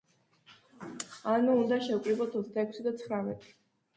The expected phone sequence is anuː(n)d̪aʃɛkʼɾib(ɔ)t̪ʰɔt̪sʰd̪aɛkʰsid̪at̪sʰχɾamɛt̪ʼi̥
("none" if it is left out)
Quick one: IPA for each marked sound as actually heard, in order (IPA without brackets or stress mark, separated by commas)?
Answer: n, ɔ